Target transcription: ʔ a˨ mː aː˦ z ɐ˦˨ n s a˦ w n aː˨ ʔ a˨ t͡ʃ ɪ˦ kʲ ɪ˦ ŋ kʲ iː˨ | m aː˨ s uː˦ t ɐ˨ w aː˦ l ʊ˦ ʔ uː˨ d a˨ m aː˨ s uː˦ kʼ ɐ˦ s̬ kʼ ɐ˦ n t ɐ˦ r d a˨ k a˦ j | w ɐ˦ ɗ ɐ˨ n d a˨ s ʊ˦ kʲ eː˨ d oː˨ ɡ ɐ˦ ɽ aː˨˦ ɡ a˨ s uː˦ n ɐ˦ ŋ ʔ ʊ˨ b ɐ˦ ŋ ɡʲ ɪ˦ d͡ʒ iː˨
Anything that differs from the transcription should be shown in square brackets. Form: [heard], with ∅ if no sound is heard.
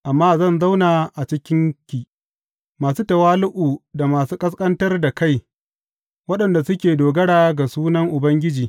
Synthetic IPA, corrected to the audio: ʔ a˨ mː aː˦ z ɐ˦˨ n [z] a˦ w n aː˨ ʔ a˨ t͡ʃ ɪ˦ kʲ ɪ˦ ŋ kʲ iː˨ | m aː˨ s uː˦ t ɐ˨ w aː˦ l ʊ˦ ʔ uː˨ d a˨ m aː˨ s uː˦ kʼ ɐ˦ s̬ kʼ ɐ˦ n t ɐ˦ r d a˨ k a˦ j | w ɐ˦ ɗ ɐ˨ n d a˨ s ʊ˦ kʲ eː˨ d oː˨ ɡ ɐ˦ ɽ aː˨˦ ɡ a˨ s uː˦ n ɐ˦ ŋ ʔ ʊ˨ b ɐ˦ ŋ ɡʲ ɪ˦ d͡ʒ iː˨

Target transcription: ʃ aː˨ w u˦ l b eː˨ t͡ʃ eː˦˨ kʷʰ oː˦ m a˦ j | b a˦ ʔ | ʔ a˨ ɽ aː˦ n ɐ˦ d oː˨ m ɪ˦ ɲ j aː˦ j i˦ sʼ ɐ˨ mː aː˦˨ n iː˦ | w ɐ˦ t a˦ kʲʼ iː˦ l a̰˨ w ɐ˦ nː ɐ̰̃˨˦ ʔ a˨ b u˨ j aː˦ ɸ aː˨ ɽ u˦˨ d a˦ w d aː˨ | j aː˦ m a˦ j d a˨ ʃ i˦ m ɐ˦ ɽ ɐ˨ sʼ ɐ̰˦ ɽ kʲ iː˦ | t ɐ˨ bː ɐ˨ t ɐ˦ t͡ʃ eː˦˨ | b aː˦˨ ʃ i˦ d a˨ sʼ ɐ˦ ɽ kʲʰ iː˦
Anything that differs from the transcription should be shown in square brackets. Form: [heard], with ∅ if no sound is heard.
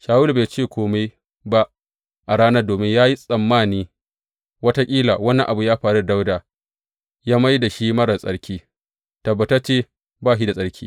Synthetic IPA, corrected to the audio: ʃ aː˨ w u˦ l b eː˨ t͡ʃ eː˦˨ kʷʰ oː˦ m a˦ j | b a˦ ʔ | ʔ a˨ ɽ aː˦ n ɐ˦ d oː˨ m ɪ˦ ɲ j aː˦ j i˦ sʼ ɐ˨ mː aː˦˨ n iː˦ | w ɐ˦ t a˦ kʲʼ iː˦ l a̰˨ w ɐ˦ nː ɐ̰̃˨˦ ʔ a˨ b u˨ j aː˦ ɸ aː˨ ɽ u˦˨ d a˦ w d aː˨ | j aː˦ m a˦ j d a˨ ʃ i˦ m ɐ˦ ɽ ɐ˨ sʼ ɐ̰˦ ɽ kʲ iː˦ | t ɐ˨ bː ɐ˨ t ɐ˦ t͡ʃ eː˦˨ | b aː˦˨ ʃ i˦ d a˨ sʼ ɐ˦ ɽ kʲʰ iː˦

